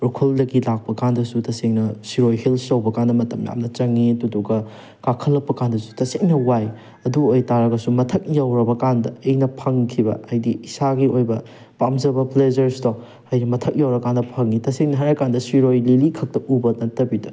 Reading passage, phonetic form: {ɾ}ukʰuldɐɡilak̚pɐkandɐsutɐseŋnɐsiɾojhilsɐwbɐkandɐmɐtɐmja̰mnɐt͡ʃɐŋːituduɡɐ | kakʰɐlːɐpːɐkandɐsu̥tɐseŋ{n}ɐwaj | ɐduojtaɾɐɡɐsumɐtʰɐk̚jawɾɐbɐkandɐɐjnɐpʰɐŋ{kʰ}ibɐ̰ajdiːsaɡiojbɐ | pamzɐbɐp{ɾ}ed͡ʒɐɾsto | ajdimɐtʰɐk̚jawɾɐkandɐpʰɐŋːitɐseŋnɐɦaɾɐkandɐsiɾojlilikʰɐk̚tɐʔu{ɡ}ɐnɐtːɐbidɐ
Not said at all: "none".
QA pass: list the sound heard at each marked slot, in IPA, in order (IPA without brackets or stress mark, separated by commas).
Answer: ɾ, n, kʰ, l, b